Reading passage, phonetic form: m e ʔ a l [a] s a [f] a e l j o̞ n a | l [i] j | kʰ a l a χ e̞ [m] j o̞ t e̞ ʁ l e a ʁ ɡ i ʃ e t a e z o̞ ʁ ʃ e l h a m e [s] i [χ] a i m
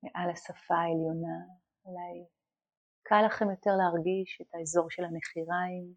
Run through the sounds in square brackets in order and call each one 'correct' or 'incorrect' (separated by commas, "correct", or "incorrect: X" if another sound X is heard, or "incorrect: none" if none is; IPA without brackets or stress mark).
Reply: correct, correct, incorrect: a, correct, incorrect: χ, incorrect: ʁ